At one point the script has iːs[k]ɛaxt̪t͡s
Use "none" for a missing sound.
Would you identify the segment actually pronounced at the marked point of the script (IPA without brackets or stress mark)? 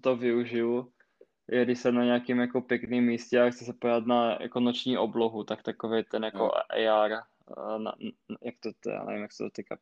c